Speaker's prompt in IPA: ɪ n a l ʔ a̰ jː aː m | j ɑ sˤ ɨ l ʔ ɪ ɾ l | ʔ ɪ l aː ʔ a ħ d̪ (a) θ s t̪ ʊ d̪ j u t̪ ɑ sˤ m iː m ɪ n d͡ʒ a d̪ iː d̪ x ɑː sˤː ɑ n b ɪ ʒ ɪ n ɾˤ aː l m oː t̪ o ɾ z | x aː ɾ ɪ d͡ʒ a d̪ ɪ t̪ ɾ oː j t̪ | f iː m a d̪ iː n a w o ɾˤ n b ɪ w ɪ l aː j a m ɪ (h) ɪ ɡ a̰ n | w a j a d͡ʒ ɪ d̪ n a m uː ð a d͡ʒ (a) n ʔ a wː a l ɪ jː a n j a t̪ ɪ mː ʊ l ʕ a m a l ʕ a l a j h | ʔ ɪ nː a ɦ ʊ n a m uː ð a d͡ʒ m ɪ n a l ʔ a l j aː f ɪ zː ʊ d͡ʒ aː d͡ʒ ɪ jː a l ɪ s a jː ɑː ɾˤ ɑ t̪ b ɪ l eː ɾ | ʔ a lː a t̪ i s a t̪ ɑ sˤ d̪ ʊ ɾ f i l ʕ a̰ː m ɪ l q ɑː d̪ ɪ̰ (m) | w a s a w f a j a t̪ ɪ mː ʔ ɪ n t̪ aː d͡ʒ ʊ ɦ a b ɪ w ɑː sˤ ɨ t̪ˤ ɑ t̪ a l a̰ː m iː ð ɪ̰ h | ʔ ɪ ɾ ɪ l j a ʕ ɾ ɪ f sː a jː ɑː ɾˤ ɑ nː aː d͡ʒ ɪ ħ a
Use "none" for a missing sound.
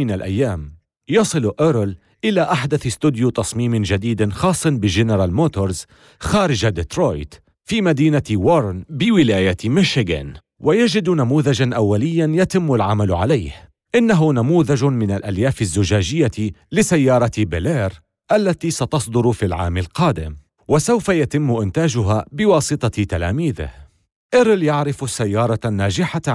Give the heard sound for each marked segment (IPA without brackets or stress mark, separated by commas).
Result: a, ʃ, a, m